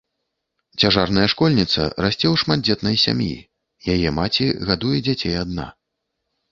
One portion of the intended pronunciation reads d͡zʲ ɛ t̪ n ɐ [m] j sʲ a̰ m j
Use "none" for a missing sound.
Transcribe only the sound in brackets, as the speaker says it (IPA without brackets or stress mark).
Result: none